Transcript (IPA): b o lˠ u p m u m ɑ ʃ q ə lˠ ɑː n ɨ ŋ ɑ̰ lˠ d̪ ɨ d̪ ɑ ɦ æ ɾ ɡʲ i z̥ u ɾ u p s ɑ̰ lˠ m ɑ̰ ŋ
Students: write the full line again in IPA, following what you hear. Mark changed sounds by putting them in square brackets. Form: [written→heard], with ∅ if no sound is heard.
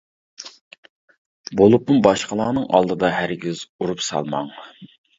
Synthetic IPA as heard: b o lˠ u p m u [m→b] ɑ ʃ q ə lˠ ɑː n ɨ ŋ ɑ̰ lˠ d̪ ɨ d̪ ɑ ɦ æ ɾ ɡʲ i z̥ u ɾ u p s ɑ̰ lˠ m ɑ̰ ŋ